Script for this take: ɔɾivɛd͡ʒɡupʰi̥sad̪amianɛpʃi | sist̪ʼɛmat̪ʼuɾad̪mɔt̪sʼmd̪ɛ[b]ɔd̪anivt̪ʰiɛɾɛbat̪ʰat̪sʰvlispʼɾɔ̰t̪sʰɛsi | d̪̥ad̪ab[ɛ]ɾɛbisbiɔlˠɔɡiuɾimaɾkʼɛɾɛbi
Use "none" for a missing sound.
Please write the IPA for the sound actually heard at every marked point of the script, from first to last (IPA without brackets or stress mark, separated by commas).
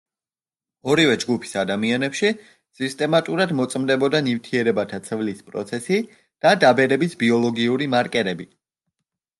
b, ɛ